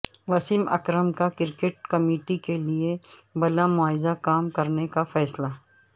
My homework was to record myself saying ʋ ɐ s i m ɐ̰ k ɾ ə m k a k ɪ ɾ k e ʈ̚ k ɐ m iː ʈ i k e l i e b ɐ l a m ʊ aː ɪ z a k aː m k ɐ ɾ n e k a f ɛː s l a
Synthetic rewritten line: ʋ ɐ s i m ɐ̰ k ɾ ə m k a k ɪ ɾ k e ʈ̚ k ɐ m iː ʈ i k e l i e b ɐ l a m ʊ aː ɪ z a k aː m k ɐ ɾ n e k a f ɛː s l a